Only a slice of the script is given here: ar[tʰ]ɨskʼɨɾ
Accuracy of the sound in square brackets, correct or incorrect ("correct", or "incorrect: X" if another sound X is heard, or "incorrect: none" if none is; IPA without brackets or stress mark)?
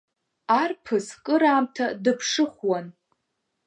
incorrect: pʰ